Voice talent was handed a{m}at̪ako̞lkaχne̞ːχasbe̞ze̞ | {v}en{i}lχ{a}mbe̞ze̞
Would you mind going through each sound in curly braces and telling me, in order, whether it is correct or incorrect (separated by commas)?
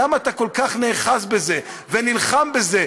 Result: correct, correct, correct, correct